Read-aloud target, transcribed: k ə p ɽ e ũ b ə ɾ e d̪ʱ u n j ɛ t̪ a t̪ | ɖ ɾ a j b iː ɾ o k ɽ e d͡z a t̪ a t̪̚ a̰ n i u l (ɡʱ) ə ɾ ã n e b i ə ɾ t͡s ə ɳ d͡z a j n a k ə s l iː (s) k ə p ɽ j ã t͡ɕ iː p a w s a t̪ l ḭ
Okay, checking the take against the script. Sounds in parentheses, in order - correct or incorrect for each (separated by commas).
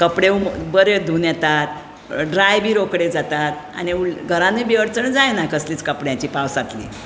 correct, incorrect